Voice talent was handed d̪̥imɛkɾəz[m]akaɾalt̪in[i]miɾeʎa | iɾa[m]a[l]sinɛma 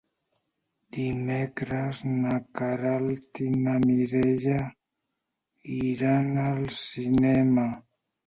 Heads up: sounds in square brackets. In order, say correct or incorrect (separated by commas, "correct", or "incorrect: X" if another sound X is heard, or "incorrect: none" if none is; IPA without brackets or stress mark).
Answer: incorrect: n, incorrect: a, incorrect: n, correct